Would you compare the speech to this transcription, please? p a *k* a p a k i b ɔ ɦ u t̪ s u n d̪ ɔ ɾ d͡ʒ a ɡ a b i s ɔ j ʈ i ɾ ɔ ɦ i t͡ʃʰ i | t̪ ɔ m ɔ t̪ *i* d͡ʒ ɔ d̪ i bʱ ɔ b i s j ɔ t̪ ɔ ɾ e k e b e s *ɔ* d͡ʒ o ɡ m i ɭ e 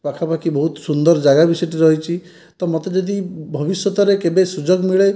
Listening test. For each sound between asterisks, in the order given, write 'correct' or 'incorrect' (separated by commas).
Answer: incorrect, incorrect, incorrect